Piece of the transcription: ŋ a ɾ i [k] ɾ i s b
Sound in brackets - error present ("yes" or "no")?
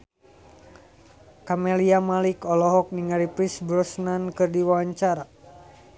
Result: yes